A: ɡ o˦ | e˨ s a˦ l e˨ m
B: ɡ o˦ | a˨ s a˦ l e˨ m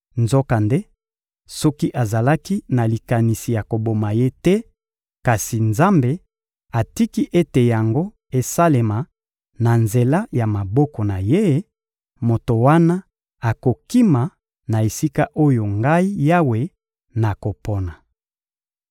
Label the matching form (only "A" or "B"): A